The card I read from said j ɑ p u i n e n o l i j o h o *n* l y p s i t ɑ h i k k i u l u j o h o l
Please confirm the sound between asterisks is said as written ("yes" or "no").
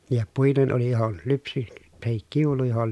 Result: yes